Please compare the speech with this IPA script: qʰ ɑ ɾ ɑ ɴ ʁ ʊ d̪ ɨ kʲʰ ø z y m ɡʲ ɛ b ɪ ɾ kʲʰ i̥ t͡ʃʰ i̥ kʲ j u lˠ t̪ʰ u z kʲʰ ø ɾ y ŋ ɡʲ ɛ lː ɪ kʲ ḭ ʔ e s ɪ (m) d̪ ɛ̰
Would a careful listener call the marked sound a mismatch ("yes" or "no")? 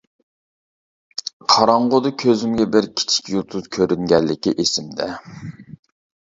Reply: no